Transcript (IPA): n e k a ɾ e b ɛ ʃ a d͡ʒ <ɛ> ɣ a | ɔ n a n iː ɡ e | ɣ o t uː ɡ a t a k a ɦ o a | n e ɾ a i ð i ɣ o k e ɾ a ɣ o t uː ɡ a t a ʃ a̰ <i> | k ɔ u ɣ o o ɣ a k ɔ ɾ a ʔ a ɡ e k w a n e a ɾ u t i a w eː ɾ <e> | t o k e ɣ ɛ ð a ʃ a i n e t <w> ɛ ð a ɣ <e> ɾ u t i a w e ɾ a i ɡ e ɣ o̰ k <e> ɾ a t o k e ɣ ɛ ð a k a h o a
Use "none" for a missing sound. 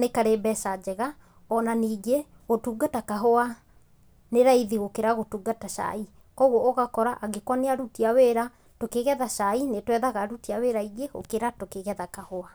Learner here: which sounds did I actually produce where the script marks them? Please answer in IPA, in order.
ɛ, i, a, w, a, e

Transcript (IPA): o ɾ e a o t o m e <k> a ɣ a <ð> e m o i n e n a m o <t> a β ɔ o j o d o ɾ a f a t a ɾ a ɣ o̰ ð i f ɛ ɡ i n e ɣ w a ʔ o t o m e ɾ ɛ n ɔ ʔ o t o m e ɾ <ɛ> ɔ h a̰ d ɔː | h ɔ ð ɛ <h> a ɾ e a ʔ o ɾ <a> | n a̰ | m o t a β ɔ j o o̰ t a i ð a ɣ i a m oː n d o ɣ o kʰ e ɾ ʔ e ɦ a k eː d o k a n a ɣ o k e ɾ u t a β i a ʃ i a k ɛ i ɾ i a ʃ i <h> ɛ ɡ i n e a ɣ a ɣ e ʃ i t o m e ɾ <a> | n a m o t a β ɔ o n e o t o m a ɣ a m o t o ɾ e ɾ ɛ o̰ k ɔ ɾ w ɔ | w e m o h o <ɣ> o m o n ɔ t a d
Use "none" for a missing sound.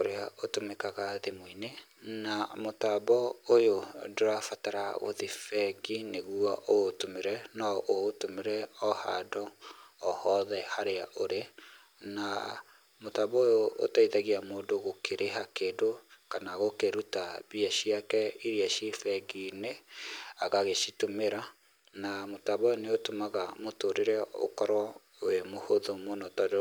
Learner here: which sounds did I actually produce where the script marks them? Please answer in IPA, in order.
k, ð, t, ɛ, h, e, f, a, ð

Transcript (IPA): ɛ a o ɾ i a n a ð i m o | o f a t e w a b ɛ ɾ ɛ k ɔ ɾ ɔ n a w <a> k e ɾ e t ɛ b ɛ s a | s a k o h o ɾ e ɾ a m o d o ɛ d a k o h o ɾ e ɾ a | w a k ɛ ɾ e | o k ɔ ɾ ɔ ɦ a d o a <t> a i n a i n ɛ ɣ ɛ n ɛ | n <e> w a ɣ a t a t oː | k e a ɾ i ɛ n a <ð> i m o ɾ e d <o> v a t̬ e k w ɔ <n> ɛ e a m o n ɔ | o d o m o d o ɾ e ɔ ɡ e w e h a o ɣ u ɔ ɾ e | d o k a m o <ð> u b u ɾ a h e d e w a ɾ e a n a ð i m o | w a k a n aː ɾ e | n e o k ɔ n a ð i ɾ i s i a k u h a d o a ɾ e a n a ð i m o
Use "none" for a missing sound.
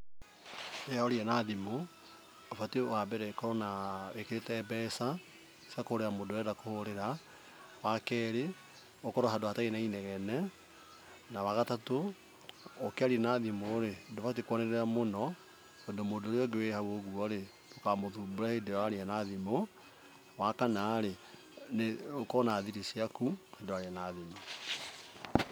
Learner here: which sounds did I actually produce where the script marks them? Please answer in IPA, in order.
e, t, a, ð, o, n, ð

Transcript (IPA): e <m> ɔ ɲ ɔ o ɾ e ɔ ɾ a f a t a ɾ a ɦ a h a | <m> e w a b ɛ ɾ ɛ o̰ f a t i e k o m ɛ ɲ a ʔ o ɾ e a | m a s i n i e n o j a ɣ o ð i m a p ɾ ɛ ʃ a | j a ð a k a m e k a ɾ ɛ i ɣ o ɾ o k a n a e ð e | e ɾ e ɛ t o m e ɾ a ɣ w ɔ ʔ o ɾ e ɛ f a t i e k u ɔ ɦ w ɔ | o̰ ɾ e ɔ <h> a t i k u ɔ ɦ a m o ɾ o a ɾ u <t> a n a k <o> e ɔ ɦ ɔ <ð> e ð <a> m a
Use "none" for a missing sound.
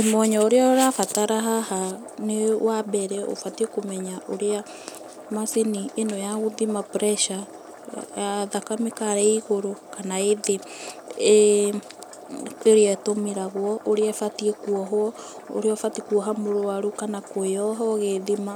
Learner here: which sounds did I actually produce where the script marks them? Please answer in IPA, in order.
m, n, f, k, o, ɣ, i

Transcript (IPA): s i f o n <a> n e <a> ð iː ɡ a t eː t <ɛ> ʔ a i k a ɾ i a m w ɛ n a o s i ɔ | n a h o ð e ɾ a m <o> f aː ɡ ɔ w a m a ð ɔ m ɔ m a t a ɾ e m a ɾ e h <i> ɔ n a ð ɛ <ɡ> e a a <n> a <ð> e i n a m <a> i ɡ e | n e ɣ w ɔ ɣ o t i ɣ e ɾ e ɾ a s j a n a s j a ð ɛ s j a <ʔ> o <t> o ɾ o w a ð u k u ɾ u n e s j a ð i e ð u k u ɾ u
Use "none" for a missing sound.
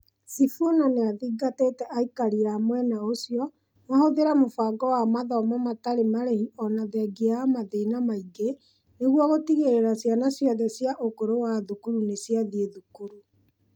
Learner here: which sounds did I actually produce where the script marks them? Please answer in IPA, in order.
a, a, ɛ, o, i, ɡ, m, ð, a, ʔ, k

